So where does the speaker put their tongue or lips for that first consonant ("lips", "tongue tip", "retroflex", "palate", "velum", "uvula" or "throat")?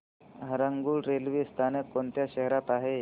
throat